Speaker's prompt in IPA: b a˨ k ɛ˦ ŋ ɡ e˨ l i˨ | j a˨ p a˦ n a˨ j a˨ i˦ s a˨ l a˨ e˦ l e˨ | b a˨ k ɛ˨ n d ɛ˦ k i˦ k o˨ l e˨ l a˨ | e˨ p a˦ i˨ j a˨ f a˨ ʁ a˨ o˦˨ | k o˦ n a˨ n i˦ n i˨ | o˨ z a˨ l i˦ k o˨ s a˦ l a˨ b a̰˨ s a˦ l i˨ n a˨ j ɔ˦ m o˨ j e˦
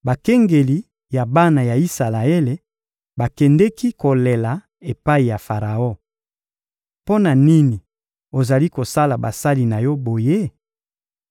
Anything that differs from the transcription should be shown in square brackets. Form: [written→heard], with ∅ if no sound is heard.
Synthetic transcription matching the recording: b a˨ k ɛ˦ ŋ ɡ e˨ l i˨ | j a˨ [p→b] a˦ n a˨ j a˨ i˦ s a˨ l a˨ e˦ l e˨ | b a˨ k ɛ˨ n d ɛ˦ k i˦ k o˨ l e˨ l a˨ | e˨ p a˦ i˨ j a˨ f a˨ ʁ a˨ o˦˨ | [k→p] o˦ n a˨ n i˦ n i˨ | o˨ z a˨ l i˦ k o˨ s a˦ l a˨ b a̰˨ s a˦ l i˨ n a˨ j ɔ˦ [m→b] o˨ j e˦